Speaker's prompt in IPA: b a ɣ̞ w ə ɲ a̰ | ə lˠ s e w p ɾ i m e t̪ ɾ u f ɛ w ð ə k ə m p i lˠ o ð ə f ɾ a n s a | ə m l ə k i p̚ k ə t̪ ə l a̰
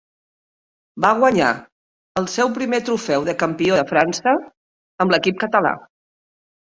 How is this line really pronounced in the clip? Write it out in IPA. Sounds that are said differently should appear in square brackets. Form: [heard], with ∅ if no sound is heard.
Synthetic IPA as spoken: b a ɣ̞ w ə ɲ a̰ | ə lˠ s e w p ɾ i m e t̪ ɾ u f ɛ w ð ə k ə m p i [∅] o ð ə f ɾ a n s [ə] | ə m l ə k i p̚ k ə t̪ ə l a̰

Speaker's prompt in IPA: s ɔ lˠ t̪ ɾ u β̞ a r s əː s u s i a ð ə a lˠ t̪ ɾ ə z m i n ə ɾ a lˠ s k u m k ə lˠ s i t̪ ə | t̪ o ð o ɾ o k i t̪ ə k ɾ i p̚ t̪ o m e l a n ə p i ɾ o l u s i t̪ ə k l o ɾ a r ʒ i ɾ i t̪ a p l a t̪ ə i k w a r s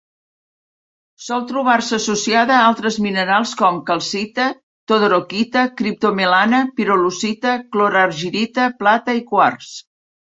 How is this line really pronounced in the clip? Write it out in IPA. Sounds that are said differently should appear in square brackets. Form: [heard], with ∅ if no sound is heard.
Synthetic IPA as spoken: s ɔ lˠ t̪ ɾ u β̞ a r s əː s u s i a ð ə a lˠ t̪ ɾ ə z m i n ə ɾ a lˠ s k [ɔ] m k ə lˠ s i t̪ ə | t̪ o ð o ɾ o k i t̪ ə k ɾ i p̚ t̪ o m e l a n ə p i ɾ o l u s i t̪ ə k l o ɾ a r ʒ i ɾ i t̪ [ə] p l a t̪ ə i k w a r s

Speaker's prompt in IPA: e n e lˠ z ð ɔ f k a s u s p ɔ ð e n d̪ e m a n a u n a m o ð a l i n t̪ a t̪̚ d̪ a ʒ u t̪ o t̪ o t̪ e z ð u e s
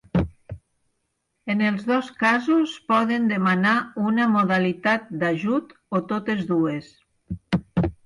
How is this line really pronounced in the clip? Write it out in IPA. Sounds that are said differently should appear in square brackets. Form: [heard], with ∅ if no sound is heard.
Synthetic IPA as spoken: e n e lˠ z ð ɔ [s] k a [z] u s p ɔ ð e n d̪ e m a n a u n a m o ð a l i [∅] t̪ a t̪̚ d̪ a ʒ u t̪ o t̪ o t̪ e z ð u e s

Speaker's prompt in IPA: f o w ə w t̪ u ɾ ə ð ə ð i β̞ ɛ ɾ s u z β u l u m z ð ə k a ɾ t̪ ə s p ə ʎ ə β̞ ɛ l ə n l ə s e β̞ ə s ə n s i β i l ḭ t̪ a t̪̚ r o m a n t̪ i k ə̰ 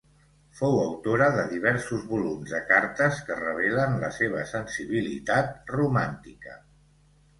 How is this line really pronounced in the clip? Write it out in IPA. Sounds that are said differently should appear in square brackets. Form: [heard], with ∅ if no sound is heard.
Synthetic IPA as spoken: f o w ə w t̪ [o] ɾ ə ð ə ð i β̞ ɛ ɾ s u z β u l u m z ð ə k a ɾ t̪ ə s [k] ə [r] ə β̞ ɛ l ə n l ə s e β̞ ə s ə n s i β i l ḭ t̪ a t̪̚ r [u] m a n t̪ i k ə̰

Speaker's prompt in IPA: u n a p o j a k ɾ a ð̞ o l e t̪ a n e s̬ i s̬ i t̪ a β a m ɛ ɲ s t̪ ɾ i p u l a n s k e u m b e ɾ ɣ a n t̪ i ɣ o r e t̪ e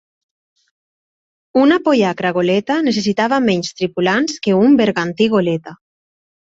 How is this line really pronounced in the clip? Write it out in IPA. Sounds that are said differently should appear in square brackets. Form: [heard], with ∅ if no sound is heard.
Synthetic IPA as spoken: u n a p o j a k ɾ a [ɣ̞] o l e t̪ a n e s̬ [e] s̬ i t̪ a β a m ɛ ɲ s t̪ ɾ i p u l a n s k e u m b e ɾ ɣ a n t̪ i ɣ o [l] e t̪ [a]

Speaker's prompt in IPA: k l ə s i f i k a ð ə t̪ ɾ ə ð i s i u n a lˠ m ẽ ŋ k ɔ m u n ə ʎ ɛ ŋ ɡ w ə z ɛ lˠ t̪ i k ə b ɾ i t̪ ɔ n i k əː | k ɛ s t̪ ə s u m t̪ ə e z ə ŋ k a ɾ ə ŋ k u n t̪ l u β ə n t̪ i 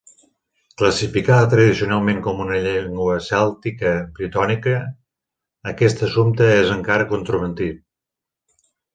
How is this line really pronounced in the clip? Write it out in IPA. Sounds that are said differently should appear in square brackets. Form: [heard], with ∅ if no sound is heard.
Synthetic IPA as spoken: k l ə s i f i k a ð ə t̪ ɾ ə ð i s i u n a lˠ m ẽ ŋ k ɔ m u n ə ʎ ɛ ŋ ɡ w ə [s] ɛ lˠ t̪ i k ə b ɾ i t̪ ɔ n i k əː | k ɛ s t̪ ə s u m t̪ ə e z ə ŋ k a ɾ ə [∅] k u n t̪ [ɾ] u β ə n t̪ i

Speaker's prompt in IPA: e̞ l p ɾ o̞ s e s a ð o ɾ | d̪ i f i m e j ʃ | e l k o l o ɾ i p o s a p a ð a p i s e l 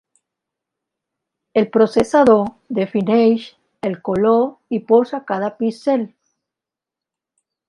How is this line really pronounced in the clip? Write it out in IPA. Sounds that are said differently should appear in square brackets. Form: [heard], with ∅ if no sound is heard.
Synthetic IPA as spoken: e̞ l p ɾ o̞ s e s a ð o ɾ | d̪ [e] f i [n] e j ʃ | e l k o l o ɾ i p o s a [k] a ð a p i s e l

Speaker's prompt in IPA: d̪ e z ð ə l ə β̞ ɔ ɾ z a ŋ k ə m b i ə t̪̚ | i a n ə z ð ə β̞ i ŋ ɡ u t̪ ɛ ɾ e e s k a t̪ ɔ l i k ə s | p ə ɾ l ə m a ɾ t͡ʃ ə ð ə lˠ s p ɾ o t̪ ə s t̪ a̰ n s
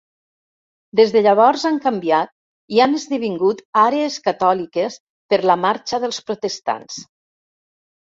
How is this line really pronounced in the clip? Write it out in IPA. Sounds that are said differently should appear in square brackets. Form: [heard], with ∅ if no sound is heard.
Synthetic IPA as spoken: d̪ e z ð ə [ʎ] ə β̞ ɔ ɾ z a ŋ k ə m b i [a] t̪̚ | i a n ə z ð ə β̞ i ŋ ɡ u t̪ [a] ɾ e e s k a t̪ ɔ l i k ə s | p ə ɾ l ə m a ɾ t͡ʃ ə ð ə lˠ s p ɾ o t̪ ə s t̪ a̰ n s

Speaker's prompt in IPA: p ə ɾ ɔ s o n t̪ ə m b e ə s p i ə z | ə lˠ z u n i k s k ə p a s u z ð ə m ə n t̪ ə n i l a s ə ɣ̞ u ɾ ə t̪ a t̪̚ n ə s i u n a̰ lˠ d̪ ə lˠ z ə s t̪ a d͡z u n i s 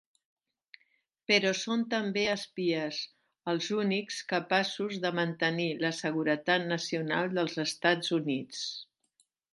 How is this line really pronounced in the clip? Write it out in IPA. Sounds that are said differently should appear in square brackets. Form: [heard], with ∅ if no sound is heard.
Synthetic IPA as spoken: p ə ɾ ɔ s o n t̪ ə m b e ə s p i ə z | ə lˠ z u n i k s k ə p a s u z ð ə m ə n t̪ ə n i l [ə] s ə ɣ̞ u ɾ ə t̪ a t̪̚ n ə s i u n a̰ lˠ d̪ ə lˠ z ə s t̪ a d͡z u n i [t͡s]

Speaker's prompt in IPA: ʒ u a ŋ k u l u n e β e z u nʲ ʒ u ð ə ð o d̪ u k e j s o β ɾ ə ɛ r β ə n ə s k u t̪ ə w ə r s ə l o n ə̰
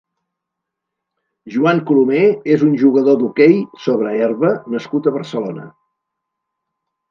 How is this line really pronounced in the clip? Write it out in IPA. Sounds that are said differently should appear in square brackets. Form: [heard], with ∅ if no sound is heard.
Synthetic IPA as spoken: ʒ u a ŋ k u l u [m] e [∅] e z u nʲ ʒ u [ɣ] ə ð o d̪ u k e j s o β ɾ ə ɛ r β ə n ə s k u t̪ ə [β] ə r s ə l o n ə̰

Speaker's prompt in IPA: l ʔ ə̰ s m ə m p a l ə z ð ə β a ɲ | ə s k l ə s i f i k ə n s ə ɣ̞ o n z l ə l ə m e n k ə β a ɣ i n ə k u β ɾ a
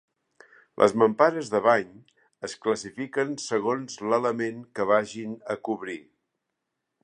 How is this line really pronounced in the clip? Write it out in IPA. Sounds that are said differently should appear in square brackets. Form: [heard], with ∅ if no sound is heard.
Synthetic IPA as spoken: l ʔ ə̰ [z] m ə m p a [ɾ] ə z ð ə β a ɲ | ə s k l ə s i f i k ə n s ə ɣ̞ o n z l ə l ə m e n k ə β a [ʒ] i n ə k u β ɾ [i]

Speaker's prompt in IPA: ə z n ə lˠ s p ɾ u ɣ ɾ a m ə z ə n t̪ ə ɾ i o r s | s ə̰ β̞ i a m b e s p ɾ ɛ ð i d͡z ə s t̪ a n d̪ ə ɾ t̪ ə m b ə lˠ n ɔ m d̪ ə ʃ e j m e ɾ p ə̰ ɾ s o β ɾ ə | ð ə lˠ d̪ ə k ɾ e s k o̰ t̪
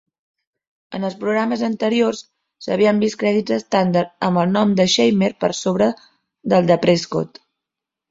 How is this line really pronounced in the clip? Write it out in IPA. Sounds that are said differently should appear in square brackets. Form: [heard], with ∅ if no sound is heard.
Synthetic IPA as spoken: ə [∅] n ə lˠ s p ɾ u ɣ ɾ a m ə z ə n t̪ ə ɾ i o r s | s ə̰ β̞ i [ə] m b [i] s [k] ɾ ɛ ð i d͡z ə s t̪ a n d̪ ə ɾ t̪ ə m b ə lˠ n ɔ m d̪ ə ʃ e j m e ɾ p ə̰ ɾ s o β ɾ ə | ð ə lˠ d̪ ə [p] ɾ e s k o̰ t̪

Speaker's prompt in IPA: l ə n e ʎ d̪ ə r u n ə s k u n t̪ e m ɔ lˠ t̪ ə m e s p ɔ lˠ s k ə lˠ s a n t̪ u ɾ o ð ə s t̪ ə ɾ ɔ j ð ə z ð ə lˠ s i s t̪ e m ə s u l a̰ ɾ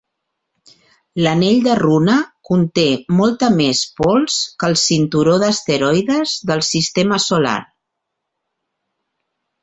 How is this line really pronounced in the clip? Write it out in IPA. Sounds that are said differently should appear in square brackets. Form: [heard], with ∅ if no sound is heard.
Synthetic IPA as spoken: l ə n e ʎ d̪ ə r u n ə [∅] k u n t̪ e m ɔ lˠ t̪ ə m e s p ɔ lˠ s k ə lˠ s [i] n t̪ u ɾ o ð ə s t̪ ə ɾ ɔ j ð ə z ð ə lˠ s i s t̪ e m ə s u l a̰ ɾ

